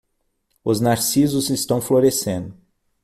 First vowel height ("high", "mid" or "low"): high